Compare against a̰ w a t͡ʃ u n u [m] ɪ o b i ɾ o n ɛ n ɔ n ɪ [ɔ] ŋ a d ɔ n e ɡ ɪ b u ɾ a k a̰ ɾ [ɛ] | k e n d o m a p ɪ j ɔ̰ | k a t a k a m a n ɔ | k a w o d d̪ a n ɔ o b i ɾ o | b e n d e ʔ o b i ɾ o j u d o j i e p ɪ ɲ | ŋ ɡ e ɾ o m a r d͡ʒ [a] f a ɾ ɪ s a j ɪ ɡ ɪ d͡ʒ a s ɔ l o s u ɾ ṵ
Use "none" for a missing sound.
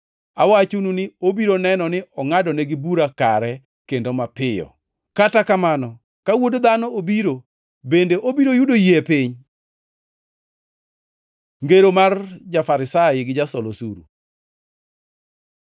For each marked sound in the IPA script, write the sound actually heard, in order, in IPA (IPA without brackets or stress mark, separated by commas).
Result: n, ɔ, ɛ, a